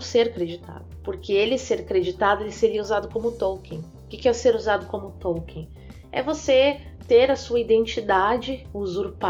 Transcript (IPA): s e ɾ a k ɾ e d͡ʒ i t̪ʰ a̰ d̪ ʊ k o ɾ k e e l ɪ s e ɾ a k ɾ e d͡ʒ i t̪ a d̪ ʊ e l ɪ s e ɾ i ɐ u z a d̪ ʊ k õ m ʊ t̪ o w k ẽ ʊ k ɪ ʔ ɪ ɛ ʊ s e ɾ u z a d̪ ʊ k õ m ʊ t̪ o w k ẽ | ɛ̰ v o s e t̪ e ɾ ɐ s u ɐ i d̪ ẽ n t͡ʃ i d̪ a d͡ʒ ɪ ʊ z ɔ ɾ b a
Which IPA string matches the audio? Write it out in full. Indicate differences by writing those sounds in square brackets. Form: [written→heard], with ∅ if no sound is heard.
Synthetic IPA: s e ɾ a k ɾ e d͡ʒ i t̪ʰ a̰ d̪ ʊ [k→p] o ɾ k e e l ɪ s e ɾ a k ɾ e d͡ʒ i t̪ a d̪ ʊ e l ɪ s e ɾ i ɐ u z a d̪ ʊ k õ m ʊ t̪ o w k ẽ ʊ k ɪ [ʔ→k] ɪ ɛ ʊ s e ɾ u z a d̪ ʊ k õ m ʊ t̪ o w k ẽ | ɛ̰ v o s e t̪ e ɾ ɐ s u ɐ i d̪ ẽ n t͡ʃ i d̪ a d͡ʒ ɪ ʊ z [ɔ→u] ɾ [b→p] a